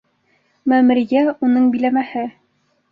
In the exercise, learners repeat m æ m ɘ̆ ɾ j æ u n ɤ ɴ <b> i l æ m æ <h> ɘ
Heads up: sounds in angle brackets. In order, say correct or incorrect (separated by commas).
correct, correct